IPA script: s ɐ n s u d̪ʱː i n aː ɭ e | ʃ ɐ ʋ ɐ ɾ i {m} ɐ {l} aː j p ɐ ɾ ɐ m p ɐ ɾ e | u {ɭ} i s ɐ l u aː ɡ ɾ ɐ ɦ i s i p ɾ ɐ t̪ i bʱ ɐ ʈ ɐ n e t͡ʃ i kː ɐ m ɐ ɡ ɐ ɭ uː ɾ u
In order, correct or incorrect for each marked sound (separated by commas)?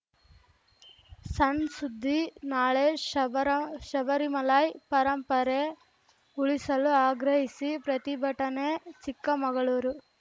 correct, correct, correct